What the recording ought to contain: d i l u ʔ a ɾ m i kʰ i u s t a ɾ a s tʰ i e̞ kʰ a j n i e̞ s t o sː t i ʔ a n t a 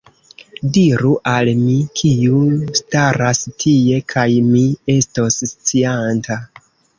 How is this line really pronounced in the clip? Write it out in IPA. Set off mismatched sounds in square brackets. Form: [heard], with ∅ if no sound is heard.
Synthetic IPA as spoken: d i [ɾ] u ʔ a [l] m i kʰ i u s t a ɾ a s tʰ i e̞ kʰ a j [m] i e̞ s t o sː [t͡s] i [∅] a n t a